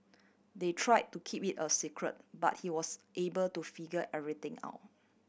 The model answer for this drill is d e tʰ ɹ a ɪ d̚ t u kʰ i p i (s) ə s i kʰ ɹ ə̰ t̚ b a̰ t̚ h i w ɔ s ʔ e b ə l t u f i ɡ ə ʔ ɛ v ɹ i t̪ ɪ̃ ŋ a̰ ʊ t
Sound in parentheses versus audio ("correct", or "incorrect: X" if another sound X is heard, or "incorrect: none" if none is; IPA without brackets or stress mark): incorrect: t